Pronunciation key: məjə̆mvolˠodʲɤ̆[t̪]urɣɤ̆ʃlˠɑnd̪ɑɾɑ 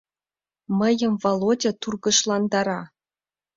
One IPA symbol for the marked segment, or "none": t̪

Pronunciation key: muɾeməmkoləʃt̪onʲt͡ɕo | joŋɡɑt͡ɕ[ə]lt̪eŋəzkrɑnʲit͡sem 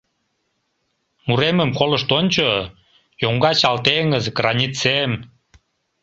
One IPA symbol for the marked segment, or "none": ɑ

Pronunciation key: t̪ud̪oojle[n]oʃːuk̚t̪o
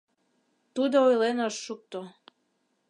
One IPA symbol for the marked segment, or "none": n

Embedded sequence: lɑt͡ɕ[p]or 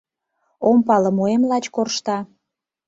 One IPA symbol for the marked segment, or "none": k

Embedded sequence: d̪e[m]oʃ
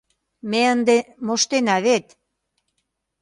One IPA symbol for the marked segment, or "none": m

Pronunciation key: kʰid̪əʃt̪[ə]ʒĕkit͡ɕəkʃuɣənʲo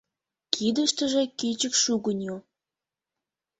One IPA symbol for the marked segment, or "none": ə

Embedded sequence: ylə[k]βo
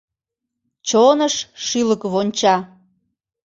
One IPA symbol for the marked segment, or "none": k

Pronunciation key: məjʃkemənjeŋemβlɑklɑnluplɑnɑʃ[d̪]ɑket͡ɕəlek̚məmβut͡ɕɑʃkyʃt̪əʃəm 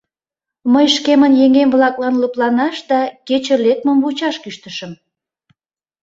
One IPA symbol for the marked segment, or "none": d̪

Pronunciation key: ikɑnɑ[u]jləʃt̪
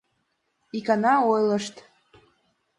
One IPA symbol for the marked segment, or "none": o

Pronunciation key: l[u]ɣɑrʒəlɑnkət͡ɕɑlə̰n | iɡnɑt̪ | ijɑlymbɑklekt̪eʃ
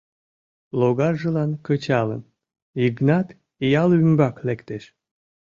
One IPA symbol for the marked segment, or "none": o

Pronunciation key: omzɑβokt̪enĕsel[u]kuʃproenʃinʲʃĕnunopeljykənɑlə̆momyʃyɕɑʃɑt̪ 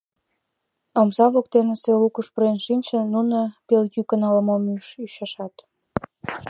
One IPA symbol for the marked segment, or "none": u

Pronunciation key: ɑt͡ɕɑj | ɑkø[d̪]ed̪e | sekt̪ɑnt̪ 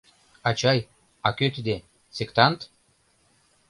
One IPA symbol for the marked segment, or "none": t̪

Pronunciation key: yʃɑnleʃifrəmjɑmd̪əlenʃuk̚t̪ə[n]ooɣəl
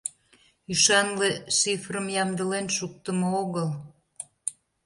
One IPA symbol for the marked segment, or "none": m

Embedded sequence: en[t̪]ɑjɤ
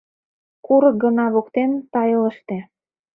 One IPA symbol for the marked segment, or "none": t̪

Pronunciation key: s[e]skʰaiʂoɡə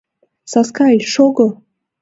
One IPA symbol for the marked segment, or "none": a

